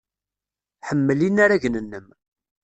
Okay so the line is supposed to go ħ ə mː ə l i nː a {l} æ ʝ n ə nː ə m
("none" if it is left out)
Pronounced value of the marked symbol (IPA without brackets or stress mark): ɾ